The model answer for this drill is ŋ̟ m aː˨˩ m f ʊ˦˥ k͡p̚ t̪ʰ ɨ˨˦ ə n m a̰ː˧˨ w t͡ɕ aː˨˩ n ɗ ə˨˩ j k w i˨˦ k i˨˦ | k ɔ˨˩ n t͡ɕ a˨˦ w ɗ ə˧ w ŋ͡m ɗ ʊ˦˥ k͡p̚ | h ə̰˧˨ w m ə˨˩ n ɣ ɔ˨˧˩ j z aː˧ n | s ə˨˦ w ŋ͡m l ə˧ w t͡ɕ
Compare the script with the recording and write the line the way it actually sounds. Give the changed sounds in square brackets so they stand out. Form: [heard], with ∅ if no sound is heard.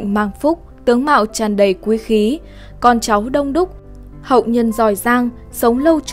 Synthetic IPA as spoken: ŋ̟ m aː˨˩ [ŋ] f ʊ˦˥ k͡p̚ [t̪] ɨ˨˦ ə [ŋ] m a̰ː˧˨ w t͡ɕ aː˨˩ n ɗ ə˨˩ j k w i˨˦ [x] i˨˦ | k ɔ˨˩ n t͡ɕ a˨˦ w ɗ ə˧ w ŋ͡m ɗ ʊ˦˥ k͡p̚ | h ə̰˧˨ w [ɲ] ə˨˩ n [z] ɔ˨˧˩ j z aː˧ [ŋ] | s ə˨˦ w ŋ͡m l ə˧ w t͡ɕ